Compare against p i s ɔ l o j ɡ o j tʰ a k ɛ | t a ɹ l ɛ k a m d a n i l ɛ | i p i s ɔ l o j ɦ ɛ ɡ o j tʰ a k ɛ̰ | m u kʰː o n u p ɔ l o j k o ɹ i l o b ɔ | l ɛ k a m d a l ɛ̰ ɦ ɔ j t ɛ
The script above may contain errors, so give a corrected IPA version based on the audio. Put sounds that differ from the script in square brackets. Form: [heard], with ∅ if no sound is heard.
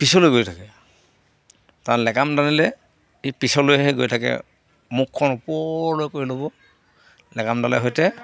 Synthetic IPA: p i s ɔ l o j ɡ o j tʰ a k ɛ | t a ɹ l ɛ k a m d a n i l ɛ | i p i s ɔ l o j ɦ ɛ ɡ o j tʰ a k ɛ̰ | m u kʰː [ɔ] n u p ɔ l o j k o ɹ i l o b ɔ | l ɛ k a m d a l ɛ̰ ɦ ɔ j t ɛ